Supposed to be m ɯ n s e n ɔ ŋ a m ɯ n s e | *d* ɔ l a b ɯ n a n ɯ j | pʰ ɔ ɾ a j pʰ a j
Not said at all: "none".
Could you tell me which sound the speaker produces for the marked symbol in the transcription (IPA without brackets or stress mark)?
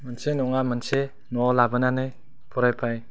n